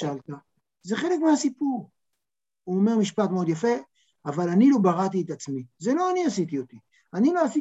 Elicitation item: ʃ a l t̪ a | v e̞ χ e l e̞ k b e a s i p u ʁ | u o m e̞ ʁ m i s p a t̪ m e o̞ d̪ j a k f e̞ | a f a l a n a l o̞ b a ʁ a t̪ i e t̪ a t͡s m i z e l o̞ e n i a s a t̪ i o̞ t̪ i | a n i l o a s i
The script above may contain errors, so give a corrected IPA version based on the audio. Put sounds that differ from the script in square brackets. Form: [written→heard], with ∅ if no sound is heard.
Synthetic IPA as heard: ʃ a l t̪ a | [v→z] e̞ χ e l e̞ k [b→m] e a s i p u ʁ | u o m e̞ ʁ m i [s→ʃ] p a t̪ m e o̞ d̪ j a [k→∅] f e̞ | a [f→v] a l a n [a→i] l o̞ b a ʁ a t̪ i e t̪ a t͡s m i z e l o̞ [e→a] n i a s [a→i] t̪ i o̞ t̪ i | a n i l o a s i